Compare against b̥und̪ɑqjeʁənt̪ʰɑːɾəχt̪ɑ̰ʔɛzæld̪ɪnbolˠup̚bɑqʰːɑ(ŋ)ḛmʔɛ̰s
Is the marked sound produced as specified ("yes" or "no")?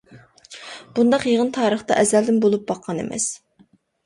no